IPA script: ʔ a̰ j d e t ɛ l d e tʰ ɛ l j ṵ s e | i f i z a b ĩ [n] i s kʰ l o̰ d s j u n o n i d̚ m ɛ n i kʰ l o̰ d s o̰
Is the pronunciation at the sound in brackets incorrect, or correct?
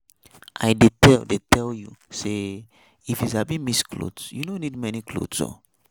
incorrect: m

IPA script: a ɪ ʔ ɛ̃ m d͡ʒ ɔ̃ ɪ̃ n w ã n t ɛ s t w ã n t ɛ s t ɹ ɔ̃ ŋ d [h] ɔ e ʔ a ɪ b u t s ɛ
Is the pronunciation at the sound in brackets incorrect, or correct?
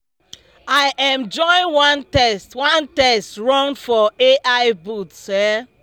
incorrect: f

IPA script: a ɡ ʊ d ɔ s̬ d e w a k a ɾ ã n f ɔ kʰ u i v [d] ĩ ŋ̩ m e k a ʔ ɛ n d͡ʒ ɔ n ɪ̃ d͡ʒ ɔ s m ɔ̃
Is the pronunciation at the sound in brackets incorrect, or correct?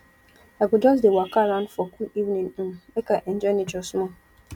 incorrect: n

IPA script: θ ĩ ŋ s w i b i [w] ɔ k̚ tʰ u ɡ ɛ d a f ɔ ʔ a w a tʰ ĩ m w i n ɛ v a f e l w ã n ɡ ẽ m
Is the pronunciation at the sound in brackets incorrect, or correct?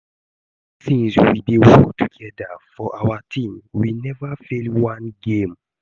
correct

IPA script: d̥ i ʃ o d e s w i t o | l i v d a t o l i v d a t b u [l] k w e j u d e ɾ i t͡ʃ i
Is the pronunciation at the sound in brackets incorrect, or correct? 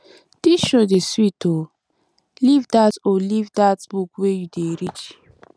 incorrect: none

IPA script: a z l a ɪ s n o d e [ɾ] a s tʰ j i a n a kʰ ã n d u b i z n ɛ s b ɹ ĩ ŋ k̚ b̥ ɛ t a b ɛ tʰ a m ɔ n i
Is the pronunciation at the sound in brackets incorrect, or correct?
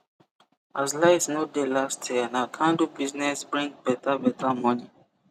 incorrect: l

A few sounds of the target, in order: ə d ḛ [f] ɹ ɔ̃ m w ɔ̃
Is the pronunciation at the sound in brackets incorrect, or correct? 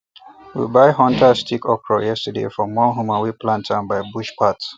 correct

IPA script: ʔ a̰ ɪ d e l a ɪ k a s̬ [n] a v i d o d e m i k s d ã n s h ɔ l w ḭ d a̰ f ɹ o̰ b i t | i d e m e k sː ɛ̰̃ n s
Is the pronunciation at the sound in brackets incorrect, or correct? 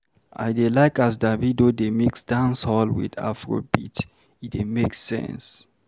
incorrect: d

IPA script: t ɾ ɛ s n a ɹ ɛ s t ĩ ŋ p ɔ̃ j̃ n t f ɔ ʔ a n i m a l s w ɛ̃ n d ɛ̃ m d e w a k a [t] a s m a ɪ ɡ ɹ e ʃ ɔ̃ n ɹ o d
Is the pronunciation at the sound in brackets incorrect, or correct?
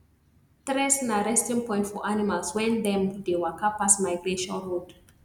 incorrect: p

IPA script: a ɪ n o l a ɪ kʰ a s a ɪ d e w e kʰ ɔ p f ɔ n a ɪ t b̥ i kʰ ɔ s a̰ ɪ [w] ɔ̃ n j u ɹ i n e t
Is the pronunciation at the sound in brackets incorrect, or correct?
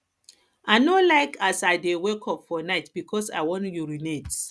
correct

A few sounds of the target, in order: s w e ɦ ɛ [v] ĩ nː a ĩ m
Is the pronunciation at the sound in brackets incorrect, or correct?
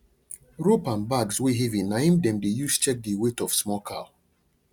correct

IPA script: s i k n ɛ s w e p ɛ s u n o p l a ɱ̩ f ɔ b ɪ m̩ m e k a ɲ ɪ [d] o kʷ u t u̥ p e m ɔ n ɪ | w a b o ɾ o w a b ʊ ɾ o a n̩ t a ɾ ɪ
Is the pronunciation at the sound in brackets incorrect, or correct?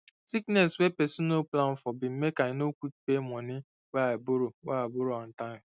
incorrect: n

